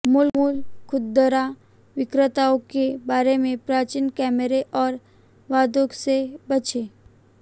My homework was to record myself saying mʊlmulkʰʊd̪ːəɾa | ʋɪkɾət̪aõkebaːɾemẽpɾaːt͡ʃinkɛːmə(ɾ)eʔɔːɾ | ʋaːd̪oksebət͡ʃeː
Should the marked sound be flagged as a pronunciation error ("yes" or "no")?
no